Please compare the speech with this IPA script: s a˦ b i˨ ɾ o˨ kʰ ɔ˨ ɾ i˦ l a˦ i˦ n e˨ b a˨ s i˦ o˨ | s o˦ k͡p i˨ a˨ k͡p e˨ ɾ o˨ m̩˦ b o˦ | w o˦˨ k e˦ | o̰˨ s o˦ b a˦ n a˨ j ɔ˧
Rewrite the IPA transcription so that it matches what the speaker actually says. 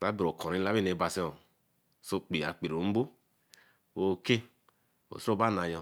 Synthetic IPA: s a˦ b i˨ ɾ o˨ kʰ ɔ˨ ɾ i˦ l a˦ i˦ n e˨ b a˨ s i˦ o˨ | s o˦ k͡p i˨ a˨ k͡p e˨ ɾ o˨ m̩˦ b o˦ | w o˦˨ k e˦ | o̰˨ s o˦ b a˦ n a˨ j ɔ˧